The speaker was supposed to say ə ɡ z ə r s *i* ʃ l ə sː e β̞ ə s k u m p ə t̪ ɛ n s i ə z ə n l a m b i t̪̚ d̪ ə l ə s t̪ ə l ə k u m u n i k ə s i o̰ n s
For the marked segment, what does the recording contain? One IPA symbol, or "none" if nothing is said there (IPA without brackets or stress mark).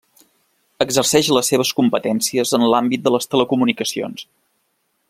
ɛ